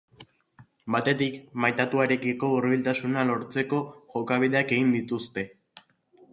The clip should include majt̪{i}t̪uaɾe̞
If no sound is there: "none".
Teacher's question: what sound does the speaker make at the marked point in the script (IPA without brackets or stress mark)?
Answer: a